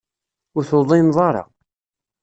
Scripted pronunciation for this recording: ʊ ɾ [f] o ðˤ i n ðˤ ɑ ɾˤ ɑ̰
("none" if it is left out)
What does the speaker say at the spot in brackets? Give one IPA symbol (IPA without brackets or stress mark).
θ